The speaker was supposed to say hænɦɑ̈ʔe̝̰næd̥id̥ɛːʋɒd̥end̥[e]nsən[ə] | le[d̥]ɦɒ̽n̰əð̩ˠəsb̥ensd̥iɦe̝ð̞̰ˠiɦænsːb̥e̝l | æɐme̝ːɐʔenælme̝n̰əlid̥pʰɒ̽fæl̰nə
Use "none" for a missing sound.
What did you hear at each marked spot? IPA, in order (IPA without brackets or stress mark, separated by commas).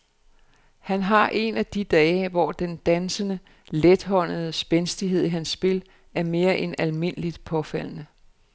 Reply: æ, ə, d̥